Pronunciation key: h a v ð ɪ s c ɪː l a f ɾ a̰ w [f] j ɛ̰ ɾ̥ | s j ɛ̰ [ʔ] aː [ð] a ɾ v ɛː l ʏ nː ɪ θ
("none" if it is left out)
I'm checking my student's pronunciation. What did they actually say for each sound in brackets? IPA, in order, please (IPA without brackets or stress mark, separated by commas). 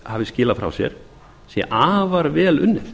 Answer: s, ʔ, v